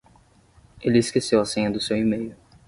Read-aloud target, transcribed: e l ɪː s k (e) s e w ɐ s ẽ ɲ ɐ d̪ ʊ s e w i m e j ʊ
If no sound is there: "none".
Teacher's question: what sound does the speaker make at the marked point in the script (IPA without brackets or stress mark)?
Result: e